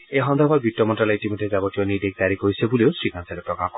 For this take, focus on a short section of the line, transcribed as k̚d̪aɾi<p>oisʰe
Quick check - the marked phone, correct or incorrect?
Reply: incorrect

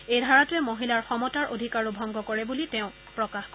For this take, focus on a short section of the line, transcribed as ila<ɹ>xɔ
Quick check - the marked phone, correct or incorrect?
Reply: correct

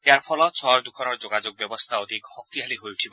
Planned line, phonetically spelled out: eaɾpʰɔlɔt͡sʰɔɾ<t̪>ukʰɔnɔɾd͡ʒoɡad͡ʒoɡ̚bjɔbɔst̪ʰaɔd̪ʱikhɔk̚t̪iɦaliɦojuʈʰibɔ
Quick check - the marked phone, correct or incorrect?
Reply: incorrect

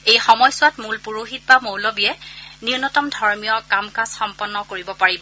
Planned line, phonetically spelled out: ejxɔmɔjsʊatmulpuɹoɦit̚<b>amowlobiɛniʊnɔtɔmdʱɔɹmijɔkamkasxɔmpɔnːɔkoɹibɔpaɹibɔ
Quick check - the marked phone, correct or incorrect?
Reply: correct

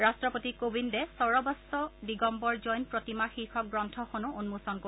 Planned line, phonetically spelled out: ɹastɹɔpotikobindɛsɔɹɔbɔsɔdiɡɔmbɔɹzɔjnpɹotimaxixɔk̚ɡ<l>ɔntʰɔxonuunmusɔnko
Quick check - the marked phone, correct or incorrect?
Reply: incorrect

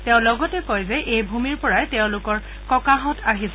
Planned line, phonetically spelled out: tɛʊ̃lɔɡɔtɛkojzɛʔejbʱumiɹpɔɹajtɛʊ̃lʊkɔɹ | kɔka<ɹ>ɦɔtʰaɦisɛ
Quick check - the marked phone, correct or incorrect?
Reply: incorrect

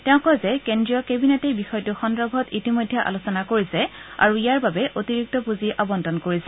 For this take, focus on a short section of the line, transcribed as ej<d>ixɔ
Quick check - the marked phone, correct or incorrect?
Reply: incorrect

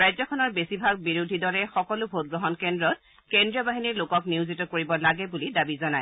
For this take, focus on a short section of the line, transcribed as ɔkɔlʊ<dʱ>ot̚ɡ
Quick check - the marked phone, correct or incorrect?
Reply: incorrect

